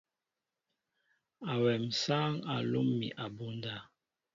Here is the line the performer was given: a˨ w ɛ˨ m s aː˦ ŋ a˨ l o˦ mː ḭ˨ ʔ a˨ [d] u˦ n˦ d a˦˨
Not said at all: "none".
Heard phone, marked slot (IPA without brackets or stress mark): b